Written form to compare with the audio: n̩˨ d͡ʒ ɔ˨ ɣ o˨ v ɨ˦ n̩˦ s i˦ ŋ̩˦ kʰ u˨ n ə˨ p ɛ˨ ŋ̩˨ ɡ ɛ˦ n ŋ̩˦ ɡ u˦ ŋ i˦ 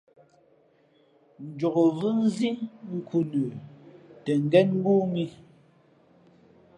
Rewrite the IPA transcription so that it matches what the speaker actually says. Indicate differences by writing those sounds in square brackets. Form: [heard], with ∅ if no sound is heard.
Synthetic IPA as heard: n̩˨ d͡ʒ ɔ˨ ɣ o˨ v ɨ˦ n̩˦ [z] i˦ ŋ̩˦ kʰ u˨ n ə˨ [t] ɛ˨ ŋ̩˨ ɡ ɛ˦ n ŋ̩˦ ɡ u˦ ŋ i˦

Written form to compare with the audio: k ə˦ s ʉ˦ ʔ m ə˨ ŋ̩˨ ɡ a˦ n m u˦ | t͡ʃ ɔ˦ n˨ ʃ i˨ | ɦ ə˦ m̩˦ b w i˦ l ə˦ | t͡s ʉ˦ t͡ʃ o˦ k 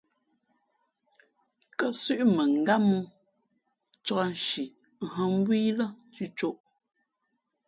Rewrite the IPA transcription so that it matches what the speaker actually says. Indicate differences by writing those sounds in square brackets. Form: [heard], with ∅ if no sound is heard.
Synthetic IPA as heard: k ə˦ s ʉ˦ ʔ m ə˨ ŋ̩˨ ɡ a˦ [∅] m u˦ | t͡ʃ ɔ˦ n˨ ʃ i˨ | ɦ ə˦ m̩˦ b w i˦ l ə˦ | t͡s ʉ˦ t͡ʃ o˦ [ʔ]

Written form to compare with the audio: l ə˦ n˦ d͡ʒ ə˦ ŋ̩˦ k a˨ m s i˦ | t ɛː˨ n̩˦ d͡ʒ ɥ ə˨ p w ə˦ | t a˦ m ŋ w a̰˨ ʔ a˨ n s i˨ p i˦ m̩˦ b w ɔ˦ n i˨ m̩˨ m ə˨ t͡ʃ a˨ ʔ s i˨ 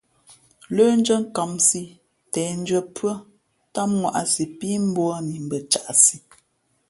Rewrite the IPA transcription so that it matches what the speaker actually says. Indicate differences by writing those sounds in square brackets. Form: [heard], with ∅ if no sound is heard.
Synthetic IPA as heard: l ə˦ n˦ d͡ʒ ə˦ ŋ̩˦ k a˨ m s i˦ | t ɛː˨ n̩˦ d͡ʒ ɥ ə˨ p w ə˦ | t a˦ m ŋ w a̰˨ ʔ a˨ [∅] s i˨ p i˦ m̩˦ b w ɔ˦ n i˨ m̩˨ [b] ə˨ t͡ʃ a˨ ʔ s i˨

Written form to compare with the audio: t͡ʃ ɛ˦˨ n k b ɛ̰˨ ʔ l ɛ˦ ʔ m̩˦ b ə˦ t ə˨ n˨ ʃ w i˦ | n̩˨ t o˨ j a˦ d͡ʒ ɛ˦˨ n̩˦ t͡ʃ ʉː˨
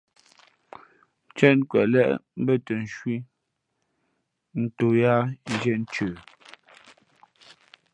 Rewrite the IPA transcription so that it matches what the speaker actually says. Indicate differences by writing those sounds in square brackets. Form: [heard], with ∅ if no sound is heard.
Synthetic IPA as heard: t͡ʃ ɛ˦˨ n k [w] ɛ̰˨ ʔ l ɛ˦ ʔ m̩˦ b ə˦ t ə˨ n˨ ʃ w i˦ | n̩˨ t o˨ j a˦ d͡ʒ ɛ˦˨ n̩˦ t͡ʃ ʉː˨

